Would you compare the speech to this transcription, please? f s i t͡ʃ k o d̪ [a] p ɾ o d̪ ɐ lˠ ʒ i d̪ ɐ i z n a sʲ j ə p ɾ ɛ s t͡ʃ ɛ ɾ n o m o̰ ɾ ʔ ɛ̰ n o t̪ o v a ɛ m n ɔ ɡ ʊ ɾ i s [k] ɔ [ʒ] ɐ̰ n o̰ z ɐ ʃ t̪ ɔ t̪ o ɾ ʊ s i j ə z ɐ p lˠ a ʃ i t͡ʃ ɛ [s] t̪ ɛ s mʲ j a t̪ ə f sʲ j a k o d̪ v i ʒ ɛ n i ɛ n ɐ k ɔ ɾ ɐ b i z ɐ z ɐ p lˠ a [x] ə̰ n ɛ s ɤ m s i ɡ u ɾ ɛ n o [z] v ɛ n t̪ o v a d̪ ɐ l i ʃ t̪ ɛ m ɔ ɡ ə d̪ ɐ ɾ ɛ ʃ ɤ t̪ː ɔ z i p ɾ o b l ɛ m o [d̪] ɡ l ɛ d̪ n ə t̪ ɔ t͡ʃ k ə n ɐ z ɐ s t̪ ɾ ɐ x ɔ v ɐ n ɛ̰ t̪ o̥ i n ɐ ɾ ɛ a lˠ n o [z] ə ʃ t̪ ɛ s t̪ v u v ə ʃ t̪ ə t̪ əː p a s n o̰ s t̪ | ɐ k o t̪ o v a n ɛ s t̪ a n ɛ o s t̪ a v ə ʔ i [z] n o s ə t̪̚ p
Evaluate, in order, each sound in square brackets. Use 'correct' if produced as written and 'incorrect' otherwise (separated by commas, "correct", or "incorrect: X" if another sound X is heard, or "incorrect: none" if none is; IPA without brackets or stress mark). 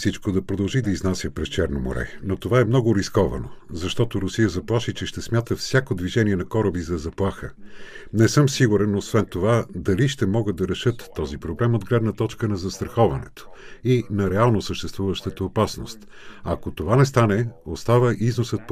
incorrect: ɐ, correct, incorrect: v, incorrect: ʃ, correct, incorrect: s, correct, incorrect: s, correct